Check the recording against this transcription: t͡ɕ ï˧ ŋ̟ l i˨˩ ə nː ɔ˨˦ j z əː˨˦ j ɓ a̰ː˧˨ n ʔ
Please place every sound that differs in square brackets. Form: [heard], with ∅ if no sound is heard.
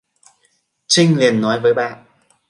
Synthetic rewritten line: t͡ɕ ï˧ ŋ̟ l i˨˩ ə nː ɔ˨˦ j [v] əː˨˦ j ɓ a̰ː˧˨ n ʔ